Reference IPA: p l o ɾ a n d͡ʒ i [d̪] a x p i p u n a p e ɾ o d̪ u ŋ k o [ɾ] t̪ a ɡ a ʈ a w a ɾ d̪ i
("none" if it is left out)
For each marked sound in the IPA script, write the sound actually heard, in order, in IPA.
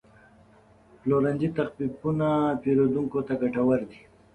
t̪, none

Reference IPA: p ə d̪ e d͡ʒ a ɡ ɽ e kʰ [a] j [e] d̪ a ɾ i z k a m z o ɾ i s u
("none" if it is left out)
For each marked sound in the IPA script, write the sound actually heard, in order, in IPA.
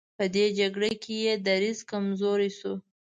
e, e

